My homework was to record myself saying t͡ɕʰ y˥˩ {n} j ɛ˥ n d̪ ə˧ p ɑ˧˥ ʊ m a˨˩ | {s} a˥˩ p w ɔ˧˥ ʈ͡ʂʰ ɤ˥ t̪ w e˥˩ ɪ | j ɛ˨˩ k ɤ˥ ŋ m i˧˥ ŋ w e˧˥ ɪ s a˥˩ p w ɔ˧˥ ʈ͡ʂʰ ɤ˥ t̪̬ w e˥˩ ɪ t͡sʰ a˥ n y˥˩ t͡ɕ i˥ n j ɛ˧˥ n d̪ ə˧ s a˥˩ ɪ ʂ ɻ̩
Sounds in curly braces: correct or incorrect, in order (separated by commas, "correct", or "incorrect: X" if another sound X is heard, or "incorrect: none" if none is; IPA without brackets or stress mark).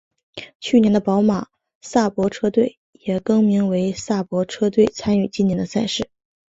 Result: correct, correct